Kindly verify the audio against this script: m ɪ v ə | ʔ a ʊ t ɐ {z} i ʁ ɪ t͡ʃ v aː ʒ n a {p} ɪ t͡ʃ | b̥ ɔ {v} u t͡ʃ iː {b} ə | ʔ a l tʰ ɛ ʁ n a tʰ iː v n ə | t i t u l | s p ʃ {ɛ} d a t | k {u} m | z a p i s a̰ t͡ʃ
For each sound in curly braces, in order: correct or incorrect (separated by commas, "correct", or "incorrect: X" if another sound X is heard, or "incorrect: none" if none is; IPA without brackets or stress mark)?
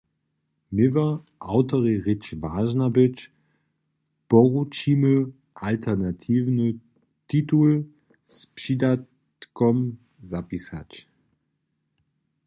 incorrect: ʁ, incorrect: b, incorrect: ʁ, incorrect: m, incorrect: i, incorrect: ɔ